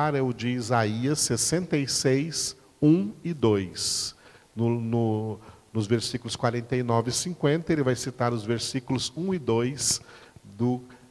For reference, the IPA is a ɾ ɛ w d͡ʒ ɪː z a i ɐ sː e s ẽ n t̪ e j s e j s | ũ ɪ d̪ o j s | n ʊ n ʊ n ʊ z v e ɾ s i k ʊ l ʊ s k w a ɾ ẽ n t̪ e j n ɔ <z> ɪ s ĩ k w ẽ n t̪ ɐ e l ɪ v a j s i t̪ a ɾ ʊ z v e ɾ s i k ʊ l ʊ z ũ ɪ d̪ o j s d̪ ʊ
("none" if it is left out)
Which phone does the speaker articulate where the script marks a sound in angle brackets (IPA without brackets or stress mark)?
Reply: v